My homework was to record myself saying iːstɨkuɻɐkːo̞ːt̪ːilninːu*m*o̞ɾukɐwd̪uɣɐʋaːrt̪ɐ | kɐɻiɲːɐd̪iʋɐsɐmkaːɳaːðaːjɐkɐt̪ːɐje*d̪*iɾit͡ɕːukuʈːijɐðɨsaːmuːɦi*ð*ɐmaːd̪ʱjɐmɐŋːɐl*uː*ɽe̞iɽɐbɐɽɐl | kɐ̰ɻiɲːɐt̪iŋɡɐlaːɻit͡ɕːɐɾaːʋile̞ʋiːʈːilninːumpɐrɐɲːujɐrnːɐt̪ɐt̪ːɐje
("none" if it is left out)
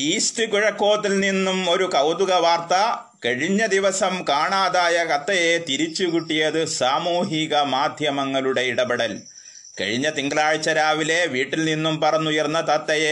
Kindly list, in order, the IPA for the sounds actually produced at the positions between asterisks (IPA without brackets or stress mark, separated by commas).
m, t̪, ɣ, u